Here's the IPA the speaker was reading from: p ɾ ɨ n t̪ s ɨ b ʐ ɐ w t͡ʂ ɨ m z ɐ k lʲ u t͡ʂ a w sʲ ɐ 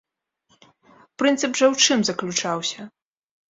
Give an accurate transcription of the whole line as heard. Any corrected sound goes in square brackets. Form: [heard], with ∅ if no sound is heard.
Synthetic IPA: p ɾ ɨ n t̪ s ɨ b ʐ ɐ w t͡ʂ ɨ m z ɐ k lʲ u t͡ʂ a w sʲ ɐ